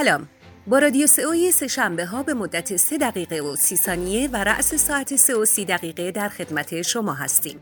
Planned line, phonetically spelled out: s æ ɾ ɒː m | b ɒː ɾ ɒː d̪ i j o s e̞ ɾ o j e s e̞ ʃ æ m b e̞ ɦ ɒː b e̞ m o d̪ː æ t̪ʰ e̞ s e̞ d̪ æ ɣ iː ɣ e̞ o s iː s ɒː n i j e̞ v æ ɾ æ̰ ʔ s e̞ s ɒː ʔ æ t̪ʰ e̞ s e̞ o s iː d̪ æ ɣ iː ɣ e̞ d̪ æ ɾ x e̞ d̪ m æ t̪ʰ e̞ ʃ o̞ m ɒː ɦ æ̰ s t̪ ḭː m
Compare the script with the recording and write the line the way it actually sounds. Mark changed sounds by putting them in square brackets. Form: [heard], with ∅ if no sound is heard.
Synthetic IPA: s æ [l] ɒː m | b ɒː ɾ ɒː d̪ i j o s e̞ [∅] o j e s e̞ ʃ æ m b e̞ ɦ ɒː b e̞ m o d̪ː æ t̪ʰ e̞ s e̞ d̪ æ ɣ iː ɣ e̞ o s iː s ɒː n i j e̞ v æ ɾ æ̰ ʔ s e̞ s ɒː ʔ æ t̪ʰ e̞ s e̞ o s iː d̪ æ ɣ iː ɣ e̞ d̪ æ ɾ x e̞ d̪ m æ t̪ʰ e̞ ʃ o̞ m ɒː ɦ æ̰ s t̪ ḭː m